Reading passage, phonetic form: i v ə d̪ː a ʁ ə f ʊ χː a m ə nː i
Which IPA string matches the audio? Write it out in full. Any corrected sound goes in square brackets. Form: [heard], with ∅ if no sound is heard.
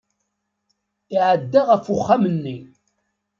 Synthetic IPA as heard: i [ʕ] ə d̪ː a ʁ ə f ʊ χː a m ə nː i